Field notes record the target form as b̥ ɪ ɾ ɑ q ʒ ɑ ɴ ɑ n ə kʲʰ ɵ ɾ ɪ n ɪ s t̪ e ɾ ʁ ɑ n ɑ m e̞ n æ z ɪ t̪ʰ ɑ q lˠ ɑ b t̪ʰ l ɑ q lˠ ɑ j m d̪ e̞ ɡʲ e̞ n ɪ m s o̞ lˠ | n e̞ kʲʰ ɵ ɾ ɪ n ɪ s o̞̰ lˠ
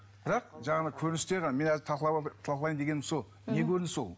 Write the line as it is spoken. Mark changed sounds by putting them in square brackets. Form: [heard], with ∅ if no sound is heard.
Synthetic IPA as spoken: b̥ ɪ ɾ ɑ q ʒ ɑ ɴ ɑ n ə kʲʰ ɵ ɾ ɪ n ɪ s t̪ e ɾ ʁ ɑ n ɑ m e̞ n æ z ɪ t̪ʰ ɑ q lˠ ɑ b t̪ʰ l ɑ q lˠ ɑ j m d̪ e̞ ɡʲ e̞ n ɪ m s o̞ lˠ | n e̞ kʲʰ ɵ ɾ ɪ n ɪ s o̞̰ lˠ